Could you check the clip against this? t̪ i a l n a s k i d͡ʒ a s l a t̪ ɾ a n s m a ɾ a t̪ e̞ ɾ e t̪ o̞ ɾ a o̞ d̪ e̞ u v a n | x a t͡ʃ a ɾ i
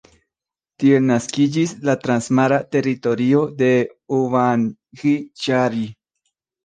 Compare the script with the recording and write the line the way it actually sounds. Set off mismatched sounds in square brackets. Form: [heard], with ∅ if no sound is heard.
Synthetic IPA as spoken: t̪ i [e] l n a s k i d͡ʒ [i] s l a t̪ ɾ a n s m a ɾ a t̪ e̞ ɾ [i] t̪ o̞ ɾ [i] o̞ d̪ e̞ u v a n | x [i] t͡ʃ a ɾ i